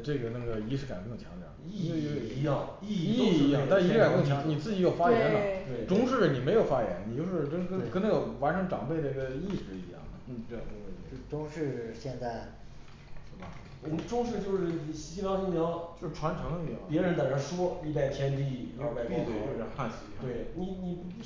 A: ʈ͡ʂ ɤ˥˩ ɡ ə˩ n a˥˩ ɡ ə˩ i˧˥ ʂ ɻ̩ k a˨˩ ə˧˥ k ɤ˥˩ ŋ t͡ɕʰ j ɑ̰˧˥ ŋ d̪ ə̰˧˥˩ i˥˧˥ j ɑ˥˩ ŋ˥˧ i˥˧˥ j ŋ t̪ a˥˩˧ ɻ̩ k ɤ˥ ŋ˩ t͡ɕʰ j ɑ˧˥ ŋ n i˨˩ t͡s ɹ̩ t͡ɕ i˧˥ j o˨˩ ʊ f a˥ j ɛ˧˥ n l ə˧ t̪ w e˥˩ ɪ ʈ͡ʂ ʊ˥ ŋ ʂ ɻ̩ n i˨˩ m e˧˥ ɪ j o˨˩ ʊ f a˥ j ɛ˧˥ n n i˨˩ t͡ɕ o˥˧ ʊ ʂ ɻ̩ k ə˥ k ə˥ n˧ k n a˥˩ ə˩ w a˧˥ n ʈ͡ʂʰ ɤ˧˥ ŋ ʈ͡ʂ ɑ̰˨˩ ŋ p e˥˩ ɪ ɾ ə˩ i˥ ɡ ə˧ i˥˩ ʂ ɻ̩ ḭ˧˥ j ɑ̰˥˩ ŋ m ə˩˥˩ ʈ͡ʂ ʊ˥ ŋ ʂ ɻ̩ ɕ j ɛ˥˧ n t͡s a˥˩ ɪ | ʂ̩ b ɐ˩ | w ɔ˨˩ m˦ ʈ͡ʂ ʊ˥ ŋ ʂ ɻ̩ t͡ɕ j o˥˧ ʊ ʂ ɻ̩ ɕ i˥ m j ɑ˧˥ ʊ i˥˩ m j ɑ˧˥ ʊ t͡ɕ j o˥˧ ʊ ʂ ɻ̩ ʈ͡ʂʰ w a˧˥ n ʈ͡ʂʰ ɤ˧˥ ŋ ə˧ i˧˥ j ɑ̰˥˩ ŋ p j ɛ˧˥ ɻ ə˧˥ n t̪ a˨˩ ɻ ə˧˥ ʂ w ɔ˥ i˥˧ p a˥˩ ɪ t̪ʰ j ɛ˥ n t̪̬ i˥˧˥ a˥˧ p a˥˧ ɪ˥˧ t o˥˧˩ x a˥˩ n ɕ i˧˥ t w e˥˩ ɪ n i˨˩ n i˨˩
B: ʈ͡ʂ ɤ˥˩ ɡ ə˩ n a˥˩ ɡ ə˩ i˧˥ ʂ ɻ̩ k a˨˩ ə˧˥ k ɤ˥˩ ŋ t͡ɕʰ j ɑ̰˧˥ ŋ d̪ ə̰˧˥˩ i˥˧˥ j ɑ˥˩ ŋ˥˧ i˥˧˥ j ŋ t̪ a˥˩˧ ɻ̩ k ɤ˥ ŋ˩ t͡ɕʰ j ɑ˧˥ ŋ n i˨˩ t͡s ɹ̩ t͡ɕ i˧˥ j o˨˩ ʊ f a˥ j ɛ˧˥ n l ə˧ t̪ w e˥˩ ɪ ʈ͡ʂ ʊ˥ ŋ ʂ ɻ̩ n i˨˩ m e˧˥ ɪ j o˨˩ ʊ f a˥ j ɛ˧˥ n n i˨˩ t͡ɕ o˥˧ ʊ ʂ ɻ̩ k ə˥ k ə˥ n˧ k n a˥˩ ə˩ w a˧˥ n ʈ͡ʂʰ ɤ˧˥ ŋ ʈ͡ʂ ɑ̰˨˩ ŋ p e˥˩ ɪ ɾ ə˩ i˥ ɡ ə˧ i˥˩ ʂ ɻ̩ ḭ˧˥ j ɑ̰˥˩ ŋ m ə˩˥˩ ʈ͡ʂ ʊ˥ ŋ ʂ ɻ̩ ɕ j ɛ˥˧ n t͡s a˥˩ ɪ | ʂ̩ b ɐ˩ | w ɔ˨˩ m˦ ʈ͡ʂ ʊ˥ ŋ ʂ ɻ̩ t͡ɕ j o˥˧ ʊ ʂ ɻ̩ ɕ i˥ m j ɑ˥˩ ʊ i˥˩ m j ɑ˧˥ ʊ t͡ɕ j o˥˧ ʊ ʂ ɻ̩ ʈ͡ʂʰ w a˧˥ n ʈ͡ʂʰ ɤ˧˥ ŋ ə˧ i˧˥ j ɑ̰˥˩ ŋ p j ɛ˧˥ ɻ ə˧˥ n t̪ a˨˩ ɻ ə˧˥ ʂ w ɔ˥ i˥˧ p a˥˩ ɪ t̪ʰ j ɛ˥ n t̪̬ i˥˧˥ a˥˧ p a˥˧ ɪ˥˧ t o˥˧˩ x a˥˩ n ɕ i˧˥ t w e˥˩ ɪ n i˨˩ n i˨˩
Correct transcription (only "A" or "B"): A